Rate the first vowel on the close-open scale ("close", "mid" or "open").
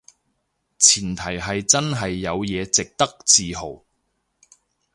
close